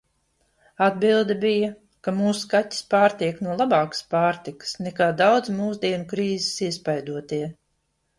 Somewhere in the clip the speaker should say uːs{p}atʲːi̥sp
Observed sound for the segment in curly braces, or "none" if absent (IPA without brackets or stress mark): k